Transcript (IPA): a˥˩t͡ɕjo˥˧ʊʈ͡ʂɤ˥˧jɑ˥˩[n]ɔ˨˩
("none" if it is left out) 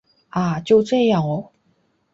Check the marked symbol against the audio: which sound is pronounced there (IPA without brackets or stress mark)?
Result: ŋ